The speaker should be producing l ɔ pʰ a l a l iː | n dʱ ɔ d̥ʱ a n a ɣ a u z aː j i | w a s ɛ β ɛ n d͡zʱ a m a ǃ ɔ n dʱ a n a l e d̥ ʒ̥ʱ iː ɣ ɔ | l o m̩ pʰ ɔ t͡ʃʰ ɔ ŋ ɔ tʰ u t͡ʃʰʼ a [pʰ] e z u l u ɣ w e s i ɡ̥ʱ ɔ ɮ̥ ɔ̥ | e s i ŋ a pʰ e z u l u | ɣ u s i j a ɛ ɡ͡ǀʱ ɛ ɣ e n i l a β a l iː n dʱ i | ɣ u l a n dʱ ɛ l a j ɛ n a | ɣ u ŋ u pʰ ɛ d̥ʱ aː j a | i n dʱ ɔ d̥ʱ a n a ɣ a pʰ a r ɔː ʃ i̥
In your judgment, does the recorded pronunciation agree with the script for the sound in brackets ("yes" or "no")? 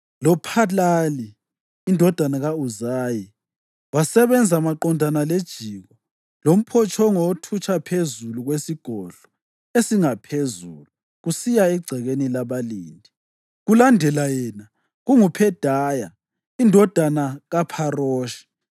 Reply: yes